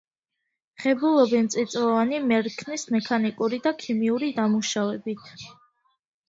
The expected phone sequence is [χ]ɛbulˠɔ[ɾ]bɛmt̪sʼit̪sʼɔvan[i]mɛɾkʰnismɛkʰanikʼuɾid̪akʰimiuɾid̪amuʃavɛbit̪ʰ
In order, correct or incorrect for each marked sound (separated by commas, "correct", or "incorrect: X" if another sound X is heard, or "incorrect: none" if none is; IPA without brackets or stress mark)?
correct, incorrect: none, correct